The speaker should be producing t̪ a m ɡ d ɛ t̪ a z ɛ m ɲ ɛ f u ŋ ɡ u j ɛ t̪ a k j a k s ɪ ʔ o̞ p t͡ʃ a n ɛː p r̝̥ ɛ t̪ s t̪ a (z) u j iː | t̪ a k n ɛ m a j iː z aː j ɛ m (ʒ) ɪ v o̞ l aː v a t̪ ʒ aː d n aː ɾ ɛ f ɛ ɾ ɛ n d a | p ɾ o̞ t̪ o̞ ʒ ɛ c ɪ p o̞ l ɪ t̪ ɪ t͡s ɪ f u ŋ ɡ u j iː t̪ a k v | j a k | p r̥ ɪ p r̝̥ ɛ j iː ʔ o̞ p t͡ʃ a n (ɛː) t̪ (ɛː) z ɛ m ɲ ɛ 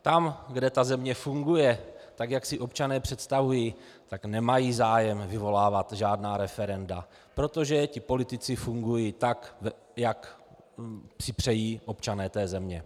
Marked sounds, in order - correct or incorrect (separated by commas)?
incorrect, incorrect, correct, correct